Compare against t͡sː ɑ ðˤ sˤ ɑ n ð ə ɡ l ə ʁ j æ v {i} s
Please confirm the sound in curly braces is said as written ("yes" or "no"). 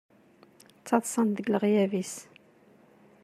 yes